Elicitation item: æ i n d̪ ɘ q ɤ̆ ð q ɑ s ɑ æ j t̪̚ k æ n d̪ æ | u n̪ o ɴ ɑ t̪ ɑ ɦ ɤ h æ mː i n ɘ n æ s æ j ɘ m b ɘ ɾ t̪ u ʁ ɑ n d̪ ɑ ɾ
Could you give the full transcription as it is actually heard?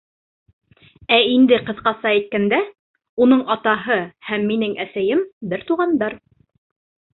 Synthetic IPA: æ i n d̪ ɘ q ɤ̆ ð q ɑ s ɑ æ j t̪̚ k æ n d̪ æ | u n̪ ɤ ɴ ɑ t̪ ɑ ɦ ɤ h æ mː i n ɘ ŋ æ s æ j ɘ m b ɘ ɾ t̪ u ʁ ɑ n d̪ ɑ ɾ